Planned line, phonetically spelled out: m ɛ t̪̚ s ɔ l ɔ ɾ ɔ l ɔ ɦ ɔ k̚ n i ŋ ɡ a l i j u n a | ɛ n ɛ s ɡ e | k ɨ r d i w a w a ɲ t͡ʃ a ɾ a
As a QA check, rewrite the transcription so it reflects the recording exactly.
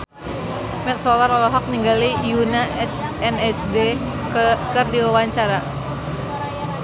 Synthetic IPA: m ɛ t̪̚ s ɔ l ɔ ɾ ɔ l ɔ ɦ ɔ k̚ n i ŋ ɡ a l i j u n a | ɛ n ɛ s d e | k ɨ r d i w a w a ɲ t͡ʃ a ɾ a